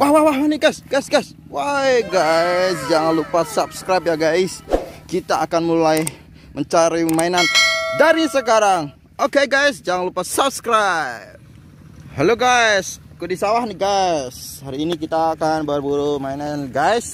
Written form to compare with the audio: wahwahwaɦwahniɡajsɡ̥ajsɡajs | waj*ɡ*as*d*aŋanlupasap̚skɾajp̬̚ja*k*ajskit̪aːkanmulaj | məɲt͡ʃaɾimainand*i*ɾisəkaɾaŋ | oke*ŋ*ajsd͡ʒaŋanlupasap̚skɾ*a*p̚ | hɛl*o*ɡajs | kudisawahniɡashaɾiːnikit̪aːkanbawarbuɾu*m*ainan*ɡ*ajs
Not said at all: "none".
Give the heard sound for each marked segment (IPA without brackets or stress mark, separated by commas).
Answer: ɡ, d͡ʒ, ɡ, a, ɡ, a, o, m, ɡ